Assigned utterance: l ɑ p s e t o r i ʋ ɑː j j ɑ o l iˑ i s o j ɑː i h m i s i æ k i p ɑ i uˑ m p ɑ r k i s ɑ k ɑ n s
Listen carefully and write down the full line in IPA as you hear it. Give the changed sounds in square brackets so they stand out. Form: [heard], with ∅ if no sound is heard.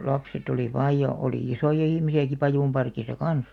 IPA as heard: l ɑ p s e t o [l] i ʋ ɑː j j ɑ o l iˑ i s o j [ɑ] i h m i s i æ k i p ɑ [j] uˑ m p ɑ r k i s ɑ k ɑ n s